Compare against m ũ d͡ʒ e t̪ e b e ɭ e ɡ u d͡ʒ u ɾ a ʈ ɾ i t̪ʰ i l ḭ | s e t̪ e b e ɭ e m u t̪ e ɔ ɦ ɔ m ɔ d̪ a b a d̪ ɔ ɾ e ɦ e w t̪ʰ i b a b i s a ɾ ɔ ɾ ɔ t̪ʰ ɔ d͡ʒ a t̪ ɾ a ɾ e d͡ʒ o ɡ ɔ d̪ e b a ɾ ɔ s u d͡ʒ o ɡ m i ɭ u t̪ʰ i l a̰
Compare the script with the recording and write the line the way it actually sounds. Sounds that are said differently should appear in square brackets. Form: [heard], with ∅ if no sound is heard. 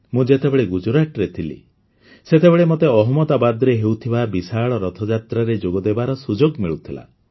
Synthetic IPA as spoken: m ũ d͡ʒ e t̪ e b e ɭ e ɡ u d͡ʒ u ɾ a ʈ ɾ [e] t̪ʰ i l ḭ | s e t̪ e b e ɭ e m [o] t̪ e ɔ ɦ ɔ m ɔ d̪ a b a d̪ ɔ ɾ e ɦ e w t̪ʰ i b a b i s a [ɭ] ɔ ɾ ɔ t̪ʰ ɔ d͡ʒ a t̪ ɾ a ɾ e d͡ʒ o ɡ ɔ d̪ e b a ɾ ɔ s u d͡ʒ o ɡ m i ɭ u t̪ʰ i l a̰